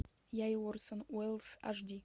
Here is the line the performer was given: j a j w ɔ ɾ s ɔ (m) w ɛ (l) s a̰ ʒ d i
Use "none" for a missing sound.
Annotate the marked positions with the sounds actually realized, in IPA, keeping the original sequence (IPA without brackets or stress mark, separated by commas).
n, l